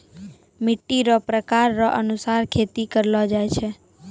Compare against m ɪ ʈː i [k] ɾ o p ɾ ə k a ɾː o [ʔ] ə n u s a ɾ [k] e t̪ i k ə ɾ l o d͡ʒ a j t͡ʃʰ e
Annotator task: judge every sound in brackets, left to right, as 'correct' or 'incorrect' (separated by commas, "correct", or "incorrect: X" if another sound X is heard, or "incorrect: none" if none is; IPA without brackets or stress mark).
incorrect: none, correct, incorrect: kʰ